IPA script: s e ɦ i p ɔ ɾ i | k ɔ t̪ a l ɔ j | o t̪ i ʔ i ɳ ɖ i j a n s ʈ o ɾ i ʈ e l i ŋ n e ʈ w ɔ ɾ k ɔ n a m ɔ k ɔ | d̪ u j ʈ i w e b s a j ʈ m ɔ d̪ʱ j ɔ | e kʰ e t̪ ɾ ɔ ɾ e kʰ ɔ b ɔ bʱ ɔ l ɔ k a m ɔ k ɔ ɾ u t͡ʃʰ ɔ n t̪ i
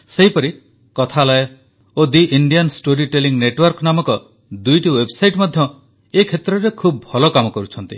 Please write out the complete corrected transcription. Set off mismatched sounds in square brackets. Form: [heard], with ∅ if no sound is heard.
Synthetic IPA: s e ɦ i p ɔ ɾ i | k ɔ [t̪ʰ] a l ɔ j | o [d̪] i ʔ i ɳ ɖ i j a n s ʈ o ɾ i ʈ e l i ŋ n e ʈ w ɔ ɾ k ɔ n a m ɔ k ɔ | d̪ u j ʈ i w e b s a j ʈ m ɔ d̪ʱ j ɔ | e kʰ e t̪ ɾ ɔ ɾ e kʰ [u] b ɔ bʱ ɔ l ɔ k a m ɔ k ɔ ɾ u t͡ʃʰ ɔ n t̪ i